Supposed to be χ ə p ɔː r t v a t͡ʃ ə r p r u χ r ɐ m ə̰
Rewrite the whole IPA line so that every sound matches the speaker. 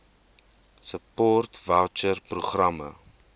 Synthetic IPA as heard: s ə p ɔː r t v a t͡ʃ ə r p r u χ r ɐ m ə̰